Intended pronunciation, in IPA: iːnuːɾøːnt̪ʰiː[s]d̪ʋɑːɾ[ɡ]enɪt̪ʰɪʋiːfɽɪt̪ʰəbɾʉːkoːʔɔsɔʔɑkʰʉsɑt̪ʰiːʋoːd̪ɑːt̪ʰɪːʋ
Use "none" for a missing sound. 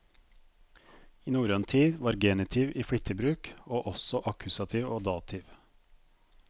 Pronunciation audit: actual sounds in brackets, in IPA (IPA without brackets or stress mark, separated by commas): none, ɡ